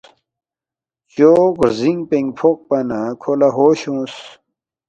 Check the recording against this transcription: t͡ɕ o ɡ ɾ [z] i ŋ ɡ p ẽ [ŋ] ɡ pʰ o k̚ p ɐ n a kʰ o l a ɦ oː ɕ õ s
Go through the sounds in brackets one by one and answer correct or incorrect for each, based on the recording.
correct, correct

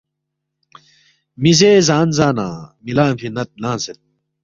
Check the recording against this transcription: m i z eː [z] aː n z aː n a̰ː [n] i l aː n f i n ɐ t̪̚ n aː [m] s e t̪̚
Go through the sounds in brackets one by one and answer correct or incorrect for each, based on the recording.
correct, incorrect: m, incorrect: n

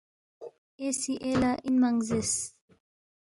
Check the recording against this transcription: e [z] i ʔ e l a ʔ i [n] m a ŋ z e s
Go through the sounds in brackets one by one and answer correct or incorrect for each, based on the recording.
incorrect: s, correct

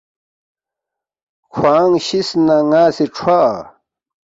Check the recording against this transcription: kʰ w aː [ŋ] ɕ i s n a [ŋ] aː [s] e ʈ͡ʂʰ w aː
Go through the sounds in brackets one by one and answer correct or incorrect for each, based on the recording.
correct, correct, correct

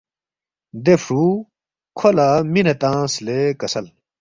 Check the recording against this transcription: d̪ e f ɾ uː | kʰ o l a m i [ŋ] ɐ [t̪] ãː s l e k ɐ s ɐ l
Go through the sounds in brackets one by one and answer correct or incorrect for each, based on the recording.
incorrect: n, correct

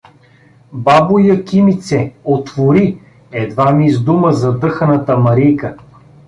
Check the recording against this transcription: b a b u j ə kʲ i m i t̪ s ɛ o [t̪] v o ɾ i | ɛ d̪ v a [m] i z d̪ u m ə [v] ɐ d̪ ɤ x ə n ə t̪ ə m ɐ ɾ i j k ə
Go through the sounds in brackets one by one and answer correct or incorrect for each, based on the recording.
correct, correct, incorrect: z

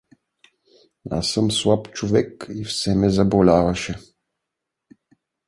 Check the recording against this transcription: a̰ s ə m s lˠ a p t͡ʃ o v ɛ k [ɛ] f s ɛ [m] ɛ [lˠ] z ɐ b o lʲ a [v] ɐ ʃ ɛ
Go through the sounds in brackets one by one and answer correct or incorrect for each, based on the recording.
incorrect: i, correct, incorrect: none, correct

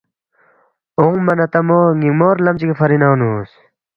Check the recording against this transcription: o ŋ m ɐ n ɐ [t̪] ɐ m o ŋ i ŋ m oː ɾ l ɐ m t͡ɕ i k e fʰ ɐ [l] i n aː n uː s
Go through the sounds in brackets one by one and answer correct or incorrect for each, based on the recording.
correct, incorrect: ɾ

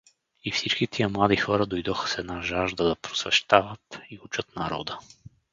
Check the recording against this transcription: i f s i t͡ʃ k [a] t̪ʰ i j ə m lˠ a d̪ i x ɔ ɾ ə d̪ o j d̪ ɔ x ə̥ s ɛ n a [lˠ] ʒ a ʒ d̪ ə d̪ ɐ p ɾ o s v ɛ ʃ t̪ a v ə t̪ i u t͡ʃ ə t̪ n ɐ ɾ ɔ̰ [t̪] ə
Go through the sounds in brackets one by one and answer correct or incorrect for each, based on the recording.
incorrect: i, incorrect: none, incorrect: d̪

